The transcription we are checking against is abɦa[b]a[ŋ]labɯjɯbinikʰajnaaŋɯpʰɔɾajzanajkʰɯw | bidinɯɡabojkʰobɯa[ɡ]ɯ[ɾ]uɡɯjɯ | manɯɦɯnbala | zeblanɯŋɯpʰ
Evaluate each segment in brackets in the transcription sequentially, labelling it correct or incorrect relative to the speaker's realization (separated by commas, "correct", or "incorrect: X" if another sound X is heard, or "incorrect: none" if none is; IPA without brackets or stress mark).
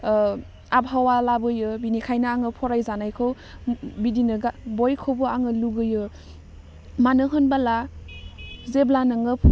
incorrect: w, incorrect: none, incorrect: ŋ, incorrect: l